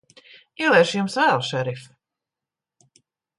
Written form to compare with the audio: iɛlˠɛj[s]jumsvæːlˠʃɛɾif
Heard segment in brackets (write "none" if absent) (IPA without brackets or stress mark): ʃ